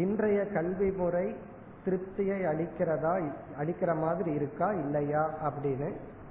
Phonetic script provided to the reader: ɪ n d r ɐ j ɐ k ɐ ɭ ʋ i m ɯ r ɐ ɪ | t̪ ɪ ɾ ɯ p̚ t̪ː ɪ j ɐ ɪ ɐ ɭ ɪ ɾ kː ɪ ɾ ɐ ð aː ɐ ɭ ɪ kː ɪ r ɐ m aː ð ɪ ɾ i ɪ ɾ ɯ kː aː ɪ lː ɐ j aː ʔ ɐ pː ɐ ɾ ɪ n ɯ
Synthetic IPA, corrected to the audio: ɪ n d r ɐ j ɐ k ɐ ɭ ʋ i m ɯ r ɐ ɪ | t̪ ɪ ɾ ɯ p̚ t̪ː ɪ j ɐ ɪ ɐ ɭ ɪ kː ɪ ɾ ɐ ð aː ɐ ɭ ɪ kː ɪ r ɐ m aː ð ɪ ɾ i ɪ ɾ ɯ kː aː ɪ lː ɐ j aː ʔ ɐ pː ɐ ɽ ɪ n ɯ